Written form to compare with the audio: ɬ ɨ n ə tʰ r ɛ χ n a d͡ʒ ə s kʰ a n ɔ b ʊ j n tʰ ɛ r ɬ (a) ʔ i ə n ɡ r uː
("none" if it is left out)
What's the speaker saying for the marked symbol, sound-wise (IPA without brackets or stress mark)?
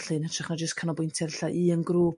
a